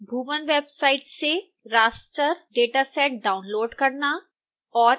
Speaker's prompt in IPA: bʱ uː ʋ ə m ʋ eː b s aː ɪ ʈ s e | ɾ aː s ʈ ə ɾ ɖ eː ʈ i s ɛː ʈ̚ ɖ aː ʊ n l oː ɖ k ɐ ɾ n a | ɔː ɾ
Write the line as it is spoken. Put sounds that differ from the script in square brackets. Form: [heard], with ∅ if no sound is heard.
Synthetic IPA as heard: bʱ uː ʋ ə [n] ʋ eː b s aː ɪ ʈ s e | ɾ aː s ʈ ə ɾ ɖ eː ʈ [a] s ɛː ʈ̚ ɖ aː ʊ n l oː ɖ k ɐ ɾ n a | ɔː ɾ